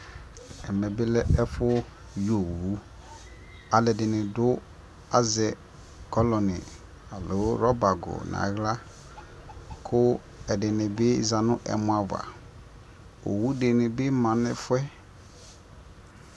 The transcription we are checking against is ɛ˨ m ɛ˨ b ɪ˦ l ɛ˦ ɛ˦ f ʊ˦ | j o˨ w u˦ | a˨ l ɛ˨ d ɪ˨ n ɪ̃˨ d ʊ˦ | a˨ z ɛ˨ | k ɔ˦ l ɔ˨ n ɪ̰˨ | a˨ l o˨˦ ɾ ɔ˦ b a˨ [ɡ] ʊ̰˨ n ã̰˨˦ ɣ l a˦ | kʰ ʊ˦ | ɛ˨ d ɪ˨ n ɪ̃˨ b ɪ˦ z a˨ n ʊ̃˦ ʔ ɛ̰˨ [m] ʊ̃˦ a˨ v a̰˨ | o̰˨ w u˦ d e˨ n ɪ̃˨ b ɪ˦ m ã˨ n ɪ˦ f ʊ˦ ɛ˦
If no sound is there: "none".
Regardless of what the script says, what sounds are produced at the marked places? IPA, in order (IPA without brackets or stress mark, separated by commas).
ɡ, m